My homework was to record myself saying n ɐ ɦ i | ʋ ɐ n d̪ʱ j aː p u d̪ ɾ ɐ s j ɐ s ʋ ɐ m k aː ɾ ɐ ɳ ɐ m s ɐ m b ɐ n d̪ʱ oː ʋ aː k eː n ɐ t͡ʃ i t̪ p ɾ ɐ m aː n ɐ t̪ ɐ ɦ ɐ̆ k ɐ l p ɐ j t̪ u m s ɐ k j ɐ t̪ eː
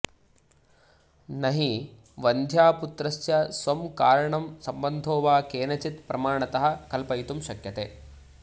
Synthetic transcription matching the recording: n ɐ ɦ i | ʋ ɐ n d̪ʱ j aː p u t̪ ɾ ɐ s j ɐ s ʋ ɐ m k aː ɾ ɐ ɳ ɐ m s ɐ m b ɐ n d̪ʱ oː ʋ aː k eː n ɐ t͡ʃ i t̪ p ɾ ɐ m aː ɳ ɐ t̪ ɐ ɦ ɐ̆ k ɐ l p ɐ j t̪ u m ʃ ɐ k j ɐ t̪ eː

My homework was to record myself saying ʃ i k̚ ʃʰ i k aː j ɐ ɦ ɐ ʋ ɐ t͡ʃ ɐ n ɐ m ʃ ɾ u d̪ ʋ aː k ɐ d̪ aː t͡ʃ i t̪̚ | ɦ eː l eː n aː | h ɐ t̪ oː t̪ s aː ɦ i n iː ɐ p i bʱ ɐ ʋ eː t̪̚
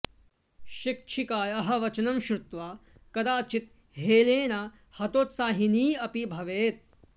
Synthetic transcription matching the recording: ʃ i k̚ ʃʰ i k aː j ɐ ɦ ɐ ʋ ɐ t͡ʃ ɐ n ɐ m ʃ ɾ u t̪ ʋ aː k ɐ d̪ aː t͡ʃ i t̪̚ | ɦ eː l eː n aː | h ɐ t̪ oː t̪ s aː ɦ i n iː ɐ p i bʱ ɐ ʋ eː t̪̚

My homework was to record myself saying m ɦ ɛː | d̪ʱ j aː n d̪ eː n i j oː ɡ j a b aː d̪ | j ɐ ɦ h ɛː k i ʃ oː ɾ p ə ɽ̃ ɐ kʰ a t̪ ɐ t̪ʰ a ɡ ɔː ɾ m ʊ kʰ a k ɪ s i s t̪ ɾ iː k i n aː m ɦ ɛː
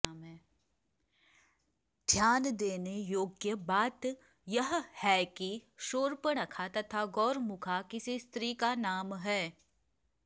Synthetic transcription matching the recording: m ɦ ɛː | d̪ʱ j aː n d̪ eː n e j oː ɡ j ə b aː t̪ | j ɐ ɦ h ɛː k i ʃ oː ɾ p ə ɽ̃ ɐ kʰ a t̪ ɐ t̪ʰ a ɡ ɔː ɾ m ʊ kʰ a k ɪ s i s t̪ ɾ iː k a n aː m ɦ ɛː

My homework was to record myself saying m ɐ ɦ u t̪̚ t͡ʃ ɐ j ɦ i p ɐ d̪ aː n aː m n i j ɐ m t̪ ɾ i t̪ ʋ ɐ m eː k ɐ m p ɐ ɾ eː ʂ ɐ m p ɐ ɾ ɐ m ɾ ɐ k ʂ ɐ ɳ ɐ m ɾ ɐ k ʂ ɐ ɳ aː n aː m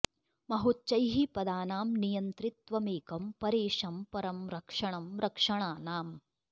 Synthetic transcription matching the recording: m ɐ ɦ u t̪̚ t͡ʃ ɐ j ɦ i p ɐ d̪ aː n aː m n i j ɐ n t̪ ɾ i t̪ ʋ ɐ m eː k ɐ m p ɐ ɾ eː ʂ ɐ m p ɐ ɾ ɐ m ɾ ɐ k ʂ ɐ ɳ ɐ m ɾ ɐ k ʂ ɐ ɳ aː n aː m

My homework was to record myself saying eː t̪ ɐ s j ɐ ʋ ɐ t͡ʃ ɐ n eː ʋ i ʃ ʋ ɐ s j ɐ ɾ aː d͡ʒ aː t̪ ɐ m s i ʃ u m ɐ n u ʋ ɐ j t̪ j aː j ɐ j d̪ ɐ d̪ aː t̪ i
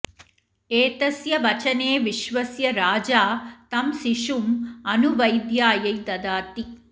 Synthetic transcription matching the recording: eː t̪ ɐ s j ɐ ʋ ɐ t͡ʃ ɐ n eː ʋ i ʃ ʋ ɐ s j ɐ ɾ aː d͡ʒ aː t̪ ɐ m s i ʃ u m ɐ n u ʋ ɐ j d̪ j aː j ɐ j d̪ ɐ d̪ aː t̪ i

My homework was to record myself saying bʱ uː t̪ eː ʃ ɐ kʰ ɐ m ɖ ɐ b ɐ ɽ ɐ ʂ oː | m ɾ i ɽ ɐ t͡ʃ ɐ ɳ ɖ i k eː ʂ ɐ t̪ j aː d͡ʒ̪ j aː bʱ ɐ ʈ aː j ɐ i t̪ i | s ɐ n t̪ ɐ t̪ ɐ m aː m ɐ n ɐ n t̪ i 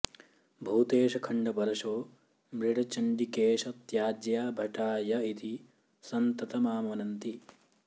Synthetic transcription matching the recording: bʱ uː t̪ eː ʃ ɐ kʰ ɐ ɳ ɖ ɐ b ɐ ɾ ɐ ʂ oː | m ɾ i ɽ ɐ t͡ʃ ɐ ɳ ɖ i k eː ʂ ɐ t̪ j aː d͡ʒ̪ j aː bʱ ɐ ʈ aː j ɐ i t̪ i | s ɐ n t̪ ɐ t̪ ɐ m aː m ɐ n ɐ n t̪ i

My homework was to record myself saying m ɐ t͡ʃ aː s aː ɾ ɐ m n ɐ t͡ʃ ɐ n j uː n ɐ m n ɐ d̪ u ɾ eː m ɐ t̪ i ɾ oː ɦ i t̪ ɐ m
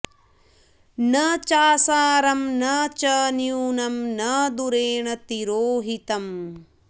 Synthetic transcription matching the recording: n ɐ t͡ʃ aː s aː ɾ ɐ m n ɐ t͡ʃ ɐ n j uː n ɐ m n ɐ d̪ u ɾ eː ɳ ɐ t̪ i ɾ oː ɦ i t̪ ɐ m

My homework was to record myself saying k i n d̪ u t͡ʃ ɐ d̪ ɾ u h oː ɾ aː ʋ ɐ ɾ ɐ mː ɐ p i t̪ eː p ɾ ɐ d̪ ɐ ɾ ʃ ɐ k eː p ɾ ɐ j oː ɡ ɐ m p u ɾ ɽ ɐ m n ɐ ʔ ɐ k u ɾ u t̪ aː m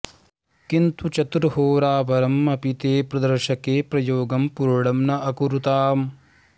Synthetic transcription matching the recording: k i n t̪ u t͡ʃ ɐ t̪ ɾ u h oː ɾ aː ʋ ɐ ɾ ɐ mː ɐ p i t̪ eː p ɾ ɐ d̪ ɐ ɾ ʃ ɐ k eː p ɾ ɐ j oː ɡ ɐ m p u ɾ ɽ ɐ m n ɐ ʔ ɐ k u ɾ u t̪ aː m

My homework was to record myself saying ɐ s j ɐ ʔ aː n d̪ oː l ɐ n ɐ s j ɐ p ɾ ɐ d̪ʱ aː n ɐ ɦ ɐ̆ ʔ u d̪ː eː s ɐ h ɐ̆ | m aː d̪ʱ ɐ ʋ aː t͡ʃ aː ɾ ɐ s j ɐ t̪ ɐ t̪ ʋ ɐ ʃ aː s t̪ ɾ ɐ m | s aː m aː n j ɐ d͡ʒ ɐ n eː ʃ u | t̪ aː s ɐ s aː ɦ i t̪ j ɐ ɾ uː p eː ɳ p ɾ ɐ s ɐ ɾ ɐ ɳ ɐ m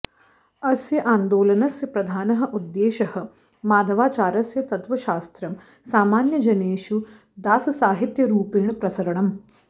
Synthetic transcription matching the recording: ɐ s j ɐ ʔ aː n d̪ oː l ɐ n ɐ s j ɐ p ɾ ɐ d̪ʱ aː n ɐ ɦ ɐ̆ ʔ u d̪ː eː ʃ ɐ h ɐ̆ | m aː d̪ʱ ɐ ʋ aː t͡ʃ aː ɾ ɐ s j ɐ t̪ ɐ t̪ ʋ ɐ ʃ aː s t̪ ɾ ɐ m | s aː m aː n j ɐ d͡ʒ ɐ n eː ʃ u | d̪ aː s ɐ s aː ɦ i t̪ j ɐ ɾ uː p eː ɳ p ɾ ɐ s ɐ ɾ ɐ ɳ ɐ m

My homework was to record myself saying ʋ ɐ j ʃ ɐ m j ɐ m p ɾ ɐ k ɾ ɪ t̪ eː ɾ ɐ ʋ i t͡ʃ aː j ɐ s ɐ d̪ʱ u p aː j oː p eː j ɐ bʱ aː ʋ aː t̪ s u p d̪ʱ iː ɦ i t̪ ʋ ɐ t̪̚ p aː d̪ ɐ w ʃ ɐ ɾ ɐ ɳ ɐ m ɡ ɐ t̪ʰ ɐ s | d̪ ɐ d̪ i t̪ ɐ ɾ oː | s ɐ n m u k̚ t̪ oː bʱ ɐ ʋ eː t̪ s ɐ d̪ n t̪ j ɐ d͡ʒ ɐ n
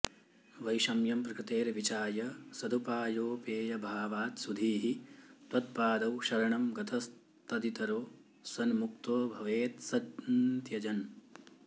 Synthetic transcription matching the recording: ʋ ɐ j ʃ ɐ m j ɐ m p ɾ ɐ k ɾ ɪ t̪ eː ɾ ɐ ʋ i t͡ʃ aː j ɐ s ɐ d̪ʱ u p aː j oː p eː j ɐ bʱ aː ʋ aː t̪ s u d̪ʱ iː ɦ i t̪ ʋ ɐ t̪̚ p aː d̪ ɐ w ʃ ɐ ɾ ɐ ɳ ɐ m ɡ ɐ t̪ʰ ɐ s | t̪ ɐ d̪ i t̪ ɐ ɾ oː | s ɐ n m u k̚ t̪ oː bʱ ɐ ʋ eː t̪ s ɐ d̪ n t̪ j ɐ d͡ʒ ɐ n

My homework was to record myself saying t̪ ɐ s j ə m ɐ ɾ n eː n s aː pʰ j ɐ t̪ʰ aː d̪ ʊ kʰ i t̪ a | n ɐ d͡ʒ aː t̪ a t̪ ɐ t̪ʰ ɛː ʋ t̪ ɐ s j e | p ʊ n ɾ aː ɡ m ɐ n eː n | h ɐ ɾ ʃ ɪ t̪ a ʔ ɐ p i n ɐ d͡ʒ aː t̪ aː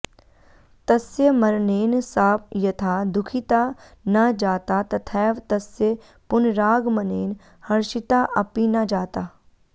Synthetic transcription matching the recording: t̪ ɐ s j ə m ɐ ɾ n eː n s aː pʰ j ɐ t̪ʰ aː d̪ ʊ kʰ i t̪ a | n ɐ d͡ʒ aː t̪ a t̪ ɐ t̪ʰ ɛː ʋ t̪ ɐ s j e | p ʊ n ɾ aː ɡ m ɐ n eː n | h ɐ ɾ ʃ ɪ t̪ a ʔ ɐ p i n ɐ d͡ʒ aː t̪ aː

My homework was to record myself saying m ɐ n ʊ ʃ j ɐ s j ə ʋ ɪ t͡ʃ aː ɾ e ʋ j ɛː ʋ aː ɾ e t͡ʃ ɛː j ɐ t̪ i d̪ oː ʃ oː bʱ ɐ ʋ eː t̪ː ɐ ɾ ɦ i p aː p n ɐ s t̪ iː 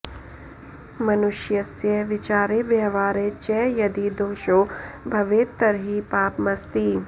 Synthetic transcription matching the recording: m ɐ n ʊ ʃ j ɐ s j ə ʋ ɪ t͡ʃ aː ɾ e ʋ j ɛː ʋ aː ɾ e t͡ʃ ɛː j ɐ d̪ i d̪ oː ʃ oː bʱ ɐ ʋ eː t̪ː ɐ ɾ ɦ i p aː p m ɐ s t̪ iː

